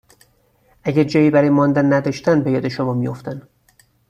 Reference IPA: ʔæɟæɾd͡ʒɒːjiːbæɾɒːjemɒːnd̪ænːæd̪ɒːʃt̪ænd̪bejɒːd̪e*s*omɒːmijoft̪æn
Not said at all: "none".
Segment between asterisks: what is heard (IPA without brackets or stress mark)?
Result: ʃ